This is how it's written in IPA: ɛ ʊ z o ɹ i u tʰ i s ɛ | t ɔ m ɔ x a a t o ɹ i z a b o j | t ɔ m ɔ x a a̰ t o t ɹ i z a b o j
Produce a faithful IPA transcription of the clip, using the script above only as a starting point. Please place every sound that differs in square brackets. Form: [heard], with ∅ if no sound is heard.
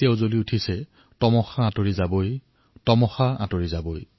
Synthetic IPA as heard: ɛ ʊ z o [l] i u tʰ i s ɛ | t ɔ m ɔ x a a t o ɹ i z a b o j | t ɔ m ɔ x a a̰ t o [∅] ɹ i z a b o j